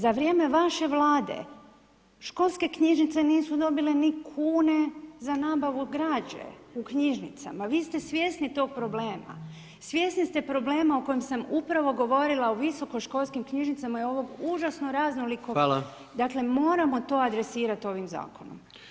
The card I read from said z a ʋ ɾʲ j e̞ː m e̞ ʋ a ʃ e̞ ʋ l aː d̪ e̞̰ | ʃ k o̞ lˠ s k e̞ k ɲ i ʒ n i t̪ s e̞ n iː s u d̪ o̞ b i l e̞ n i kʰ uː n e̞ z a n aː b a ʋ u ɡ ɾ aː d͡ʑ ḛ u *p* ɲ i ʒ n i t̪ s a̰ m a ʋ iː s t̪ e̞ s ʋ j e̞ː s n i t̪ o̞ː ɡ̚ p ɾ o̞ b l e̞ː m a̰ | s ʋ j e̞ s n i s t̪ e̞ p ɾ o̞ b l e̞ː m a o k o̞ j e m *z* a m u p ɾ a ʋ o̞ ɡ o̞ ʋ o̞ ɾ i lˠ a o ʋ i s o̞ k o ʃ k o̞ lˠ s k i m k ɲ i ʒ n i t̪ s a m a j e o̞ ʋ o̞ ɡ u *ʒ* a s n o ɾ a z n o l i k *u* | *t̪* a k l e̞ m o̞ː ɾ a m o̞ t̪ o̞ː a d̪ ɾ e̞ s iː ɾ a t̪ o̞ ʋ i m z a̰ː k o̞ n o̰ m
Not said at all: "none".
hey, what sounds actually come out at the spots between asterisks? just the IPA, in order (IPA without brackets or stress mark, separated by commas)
k, s, ʒ, o, d̪